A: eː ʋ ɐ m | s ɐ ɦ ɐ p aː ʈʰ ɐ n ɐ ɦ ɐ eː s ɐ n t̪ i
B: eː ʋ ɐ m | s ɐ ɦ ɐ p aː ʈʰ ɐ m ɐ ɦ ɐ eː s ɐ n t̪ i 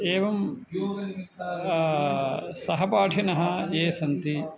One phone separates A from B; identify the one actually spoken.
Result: A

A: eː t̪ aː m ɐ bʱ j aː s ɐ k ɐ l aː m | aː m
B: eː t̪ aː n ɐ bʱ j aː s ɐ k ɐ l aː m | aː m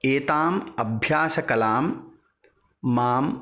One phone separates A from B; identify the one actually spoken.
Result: A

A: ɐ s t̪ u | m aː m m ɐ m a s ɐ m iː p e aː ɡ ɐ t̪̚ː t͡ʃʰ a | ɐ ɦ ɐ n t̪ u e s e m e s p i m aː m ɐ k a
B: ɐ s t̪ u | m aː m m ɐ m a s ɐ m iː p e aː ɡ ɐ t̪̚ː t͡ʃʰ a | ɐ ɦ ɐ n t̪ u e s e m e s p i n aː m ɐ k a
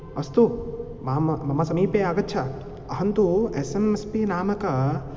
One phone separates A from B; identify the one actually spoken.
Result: B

